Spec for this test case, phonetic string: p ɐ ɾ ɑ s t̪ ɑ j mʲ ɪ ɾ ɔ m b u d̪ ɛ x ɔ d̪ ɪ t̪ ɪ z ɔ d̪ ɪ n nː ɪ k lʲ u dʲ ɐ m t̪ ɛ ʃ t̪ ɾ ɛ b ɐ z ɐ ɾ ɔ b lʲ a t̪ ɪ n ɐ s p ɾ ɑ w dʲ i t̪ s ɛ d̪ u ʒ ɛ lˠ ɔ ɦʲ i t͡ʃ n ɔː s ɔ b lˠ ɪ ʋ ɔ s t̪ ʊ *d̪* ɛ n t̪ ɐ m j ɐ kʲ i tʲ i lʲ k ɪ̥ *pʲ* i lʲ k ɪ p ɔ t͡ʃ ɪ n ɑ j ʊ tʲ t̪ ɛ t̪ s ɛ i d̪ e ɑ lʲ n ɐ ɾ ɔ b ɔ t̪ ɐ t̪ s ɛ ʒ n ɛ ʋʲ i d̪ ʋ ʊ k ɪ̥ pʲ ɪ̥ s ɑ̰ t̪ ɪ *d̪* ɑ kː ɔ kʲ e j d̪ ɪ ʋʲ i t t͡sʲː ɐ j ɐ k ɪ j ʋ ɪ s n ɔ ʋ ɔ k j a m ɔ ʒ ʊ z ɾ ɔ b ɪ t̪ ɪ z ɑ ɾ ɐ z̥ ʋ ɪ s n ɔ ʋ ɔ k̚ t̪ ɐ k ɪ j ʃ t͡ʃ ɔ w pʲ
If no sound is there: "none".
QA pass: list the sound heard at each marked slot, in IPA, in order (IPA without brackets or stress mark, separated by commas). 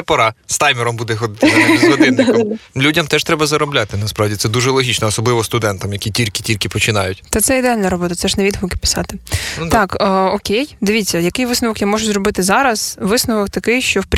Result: d̪, tʲ, t̪